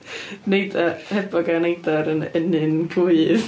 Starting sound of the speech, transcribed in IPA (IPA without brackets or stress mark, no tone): n